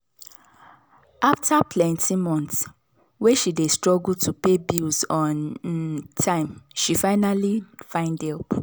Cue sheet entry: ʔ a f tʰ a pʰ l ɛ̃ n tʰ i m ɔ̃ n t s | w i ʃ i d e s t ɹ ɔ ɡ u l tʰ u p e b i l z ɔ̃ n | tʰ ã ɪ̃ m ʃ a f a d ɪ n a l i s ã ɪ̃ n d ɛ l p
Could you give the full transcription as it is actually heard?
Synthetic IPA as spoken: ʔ a f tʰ a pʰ l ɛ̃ n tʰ i m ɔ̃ n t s | w e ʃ i d e s t ɹ ɔ ɡ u l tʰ u p e b i l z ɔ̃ n | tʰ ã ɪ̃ m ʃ i f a ɪ n a l i f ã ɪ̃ n d ɛ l p